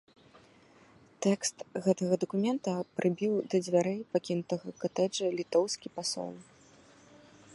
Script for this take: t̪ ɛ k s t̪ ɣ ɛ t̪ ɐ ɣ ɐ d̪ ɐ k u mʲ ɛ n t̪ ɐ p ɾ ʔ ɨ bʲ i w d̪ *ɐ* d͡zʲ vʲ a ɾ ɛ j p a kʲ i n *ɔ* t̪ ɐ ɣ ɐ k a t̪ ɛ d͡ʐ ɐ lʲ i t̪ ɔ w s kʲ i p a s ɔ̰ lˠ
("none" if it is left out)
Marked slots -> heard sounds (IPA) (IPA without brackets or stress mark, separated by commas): ɐ, u